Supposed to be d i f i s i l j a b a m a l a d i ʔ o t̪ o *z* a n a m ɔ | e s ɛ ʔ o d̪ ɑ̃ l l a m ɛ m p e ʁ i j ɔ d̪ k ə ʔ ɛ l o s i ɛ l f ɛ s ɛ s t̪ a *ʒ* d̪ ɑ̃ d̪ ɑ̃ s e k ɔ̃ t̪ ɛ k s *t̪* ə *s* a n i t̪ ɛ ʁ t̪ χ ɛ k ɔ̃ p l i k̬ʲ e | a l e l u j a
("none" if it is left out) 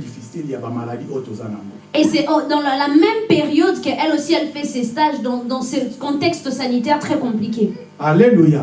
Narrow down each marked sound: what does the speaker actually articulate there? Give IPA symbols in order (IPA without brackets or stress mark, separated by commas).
z, ʒ, t̪, s